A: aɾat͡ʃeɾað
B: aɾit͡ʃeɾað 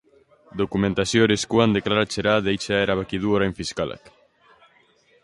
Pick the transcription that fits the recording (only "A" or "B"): A